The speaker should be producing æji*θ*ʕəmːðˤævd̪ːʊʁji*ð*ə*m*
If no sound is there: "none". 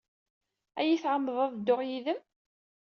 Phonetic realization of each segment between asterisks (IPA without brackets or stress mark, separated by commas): θ, ð, m